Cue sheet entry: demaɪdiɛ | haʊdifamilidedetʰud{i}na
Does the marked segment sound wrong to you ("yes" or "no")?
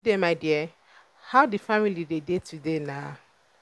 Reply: yes